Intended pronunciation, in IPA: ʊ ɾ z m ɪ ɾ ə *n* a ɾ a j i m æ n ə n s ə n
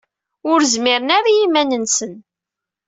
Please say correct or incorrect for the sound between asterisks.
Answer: correct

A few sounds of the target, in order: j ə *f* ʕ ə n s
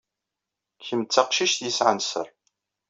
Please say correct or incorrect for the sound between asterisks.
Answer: incorrect: s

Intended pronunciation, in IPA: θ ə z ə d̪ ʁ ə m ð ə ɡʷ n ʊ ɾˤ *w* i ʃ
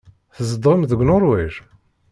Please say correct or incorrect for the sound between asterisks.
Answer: correct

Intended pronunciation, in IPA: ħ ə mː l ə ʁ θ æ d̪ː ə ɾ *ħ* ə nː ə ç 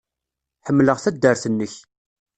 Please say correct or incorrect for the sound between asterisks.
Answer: incorrect: θ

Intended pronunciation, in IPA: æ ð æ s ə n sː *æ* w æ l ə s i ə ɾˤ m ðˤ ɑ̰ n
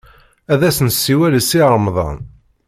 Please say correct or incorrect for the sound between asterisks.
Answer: incorrect: i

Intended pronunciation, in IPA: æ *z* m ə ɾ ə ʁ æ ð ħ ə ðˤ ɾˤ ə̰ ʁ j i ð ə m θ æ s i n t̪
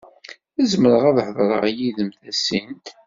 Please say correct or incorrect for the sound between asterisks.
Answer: correct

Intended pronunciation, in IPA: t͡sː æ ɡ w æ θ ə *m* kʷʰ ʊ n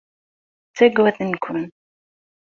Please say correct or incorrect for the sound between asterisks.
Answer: incorrect: n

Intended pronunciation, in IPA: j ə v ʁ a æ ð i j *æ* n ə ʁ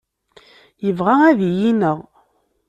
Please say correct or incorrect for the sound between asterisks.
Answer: incorrect: i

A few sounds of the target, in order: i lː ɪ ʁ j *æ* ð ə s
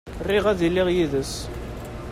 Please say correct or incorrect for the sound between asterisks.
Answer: incorrect: i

